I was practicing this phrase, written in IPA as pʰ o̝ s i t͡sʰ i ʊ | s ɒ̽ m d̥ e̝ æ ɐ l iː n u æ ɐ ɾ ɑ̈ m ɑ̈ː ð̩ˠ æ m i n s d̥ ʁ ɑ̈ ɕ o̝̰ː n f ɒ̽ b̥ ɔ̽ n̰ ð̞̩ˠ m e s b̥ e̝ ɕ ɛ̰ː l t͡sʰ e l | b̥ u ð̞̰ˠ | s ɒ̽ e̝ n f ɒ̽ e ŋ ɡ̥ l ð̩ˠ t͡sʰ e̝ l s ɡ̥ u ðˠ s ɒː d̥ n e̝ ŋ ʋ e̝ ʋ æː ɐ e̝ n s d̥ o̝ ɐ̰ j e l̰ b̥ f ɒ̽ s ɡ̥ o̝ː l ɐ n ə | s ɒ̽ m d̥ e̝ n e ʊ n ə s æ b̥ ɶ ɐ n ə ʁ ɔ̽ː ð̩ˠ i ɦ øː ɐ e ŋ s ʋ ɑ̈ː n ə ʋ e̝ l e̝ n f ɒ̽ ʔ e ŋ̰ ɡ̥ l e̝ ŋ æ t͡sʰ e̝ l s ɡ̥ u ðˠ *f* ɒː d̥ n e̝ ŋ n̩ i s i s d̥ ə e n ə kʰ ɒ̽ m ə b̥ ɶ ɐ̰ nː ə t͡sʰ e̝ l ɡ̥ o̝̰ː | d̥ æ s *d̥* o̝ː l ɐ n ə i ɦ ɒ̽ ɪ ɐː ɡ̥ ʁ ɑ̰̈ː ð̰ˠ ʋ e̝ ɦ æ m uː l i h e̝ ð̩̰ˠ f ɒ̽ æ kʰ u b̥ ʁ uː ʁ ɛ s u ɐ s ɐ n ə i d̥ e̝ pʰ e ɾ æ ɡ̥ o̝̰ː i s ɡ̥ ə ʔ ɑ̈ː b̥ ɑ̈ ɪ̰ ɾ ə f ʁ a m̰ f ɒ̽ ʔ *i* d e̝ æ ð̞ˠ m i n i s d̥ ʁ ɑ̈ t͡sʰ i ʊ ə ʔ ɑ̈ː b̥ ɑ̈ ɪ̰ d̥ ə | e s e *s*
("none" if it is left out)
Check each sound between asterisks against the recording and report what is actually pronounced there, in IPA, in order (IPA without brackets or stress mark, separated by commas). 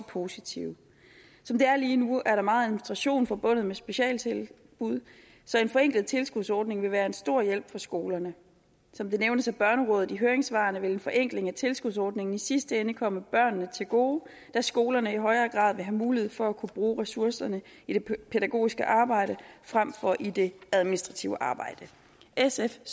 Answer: s, ɡ̥, i, f